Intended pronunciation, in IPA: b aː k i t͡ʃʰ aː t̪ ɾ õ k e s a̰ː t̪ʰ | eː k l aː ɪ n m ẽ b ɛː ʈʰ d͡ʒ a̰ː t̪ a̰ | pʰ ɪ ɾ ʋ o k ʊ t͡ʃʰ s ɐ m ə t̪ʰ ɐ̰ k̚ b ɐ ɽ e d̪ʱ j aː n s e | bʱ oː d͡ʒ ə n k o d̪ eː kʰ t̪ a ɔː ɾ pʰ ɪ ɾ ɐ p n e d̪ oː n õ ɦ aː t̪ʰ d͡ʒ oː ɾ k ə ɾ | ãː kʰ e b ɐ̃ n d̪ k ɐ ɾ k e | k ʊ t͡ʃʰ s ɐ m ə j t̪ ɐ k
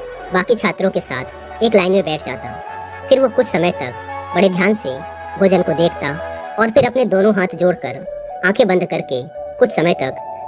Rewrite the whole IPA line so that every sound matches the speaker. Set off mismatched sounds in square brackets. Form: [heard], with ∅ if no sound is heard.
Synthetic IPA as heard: b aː k i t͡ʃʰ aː t̪ ɾ õ k e s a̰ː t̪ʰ | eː k l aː ɪ n m ẽ b ɛː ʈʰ d͡ʒ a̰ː t̪ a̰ | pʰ ɪ ɾ ʋ o k ʊ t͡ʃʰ s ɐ m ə [t̪] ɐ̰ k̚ b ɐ ɽ e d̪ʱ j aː n s e | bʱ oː d͡ʒ ə n k o d̪ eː kʰ t̪ a ɔː ɾ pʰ ɪ ɾ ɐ p n e d̪ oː n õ ɦ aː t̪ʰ d͡ʒ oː [ɽ] k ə ɾ | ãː kʰ e b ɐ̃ n d̪ k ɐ ɾ k e | k ʊ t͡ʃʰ s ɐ m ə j t̪ ɐ k